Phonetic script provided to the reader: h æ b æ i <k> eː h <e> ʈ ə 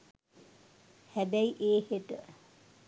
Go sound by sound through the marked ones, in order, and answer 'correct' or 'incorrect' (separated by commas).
incorrect, correct